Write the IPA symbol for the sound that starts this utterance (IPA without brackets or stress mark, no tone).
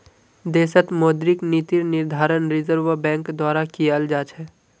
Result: d̪